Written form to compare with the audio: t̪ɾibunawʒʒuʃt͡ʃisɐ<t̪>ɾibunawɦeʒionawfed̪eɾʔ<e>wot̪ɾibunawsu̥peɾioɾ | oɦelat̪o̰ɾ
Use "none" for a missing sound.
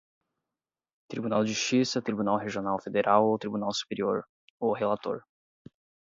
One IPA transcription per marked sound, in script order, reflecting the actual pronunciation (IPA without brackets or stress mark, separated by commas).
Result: t̪, a